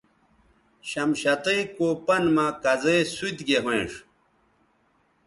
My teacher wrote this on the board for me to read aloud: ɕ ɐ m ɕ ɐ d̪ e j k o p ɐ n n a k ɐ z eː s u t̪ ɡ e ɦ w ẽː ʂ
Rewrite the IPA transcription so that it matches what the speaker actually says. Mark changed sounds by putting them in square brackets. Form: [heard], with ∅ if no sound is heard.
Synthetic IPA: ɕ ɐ m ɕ ɐ [t̪] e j k o p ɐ n [m] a k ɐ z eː s u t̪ ɡ e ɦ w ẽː ʂ